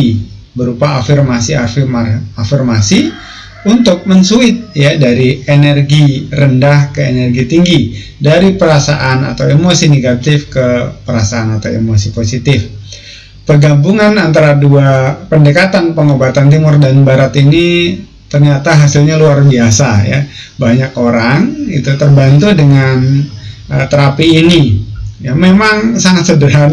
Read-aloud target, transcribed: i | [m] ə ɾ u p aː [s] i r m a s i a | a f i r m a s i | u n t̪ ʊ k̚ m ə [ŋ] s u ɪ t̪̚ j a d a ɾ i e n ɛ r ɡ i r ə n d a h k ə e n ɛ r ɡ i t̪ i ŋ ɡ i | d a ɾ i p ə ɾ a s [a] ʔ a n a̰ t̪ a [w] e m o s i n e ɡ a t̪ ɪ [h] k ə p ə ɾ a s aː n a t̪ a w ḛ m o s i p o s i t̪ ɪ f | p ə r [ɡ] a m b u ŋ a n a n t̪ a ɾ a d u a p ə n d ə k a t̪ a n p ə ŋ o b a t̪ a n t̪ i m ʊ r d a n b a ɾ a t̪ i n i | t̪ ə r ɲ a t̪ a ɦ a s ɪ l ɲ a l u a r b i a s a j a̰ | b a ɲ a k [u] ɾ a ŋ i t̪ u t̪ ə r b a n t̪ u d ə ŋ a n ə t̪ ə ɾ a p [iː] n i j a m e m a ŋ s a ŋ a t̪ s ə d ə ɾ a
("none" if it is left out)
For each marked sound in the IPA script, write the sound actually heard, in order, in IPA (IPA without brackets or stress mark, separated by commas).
b, f, n, a, w, f, ɡ, o, iː